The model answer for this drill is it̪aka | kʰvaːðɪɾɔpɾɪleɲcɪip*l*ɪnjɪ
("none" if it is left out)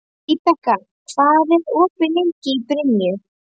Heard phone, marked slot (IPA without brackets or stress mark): ɾ